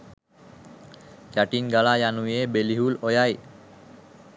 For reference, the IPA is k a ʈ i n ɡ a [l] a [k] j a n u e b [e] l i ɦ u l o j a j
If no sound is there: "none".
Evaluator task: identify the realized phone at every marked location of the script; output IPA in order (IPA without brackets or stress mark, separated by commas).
l, none, e